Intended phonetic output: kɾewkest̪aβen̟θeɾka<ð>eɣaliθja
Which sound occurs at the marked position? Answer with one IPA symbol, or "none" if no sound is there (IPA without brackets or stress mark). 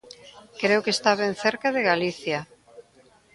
ð